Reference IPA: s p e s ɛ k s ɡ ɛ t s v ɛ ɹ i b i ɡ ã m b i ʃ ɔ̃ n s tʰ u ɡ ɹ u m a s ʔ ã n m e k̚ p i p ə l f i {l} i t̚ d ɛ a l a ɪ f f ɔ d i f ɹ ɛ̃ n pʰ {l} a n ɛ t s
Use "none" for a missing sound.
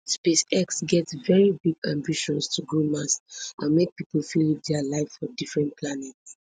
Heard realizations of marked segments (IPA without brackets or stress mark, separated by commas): l, l